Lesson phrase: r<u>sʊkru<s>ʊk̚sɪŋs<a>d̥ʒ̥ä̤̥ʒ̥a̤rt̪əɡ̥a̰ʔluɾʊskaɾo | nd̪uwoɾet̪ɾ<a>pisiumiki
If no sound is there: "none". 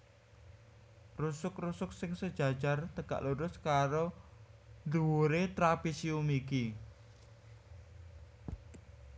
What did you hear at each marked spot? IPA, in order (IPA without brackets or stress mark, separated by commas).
u, s, ə, a